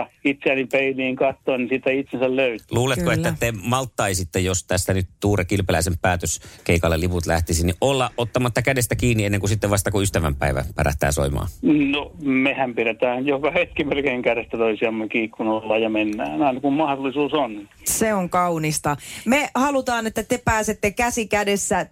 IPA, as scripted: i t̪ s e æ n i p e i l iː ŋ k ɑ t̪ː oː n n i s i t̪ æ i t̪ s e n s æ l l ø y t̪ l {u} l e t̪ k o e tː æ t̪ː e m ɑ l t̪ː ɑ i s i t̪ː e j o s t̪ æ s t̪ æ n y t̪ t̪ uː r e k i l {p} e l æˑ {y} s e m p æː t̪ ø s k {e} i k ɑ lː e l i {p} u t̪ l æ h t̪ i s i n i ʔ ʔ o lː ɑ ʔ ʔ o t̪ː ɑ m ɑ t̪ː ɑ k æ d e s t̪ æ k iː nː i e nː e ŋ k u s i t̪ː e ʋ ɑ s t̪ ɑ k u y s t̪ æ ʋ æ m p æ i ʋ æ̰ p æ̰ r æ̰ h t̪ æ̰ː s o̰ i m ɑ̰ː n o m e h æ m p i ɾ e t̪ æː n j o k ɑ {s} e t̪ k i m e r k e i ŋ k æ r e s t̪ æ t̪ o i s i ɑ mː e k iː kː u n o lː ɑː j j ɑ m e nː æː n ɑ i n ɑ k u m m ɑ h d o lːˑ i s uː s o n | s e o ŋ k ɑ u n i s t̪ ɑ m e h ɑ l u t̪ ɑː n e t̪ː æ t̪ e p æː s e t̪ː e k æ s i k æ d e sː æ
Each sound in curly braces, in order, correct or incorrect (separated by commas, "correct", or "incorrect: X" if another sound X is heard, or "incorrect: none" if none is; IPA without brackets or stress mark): incorrect: uː, correct, incorrect: i, correct, correct, incorrect: h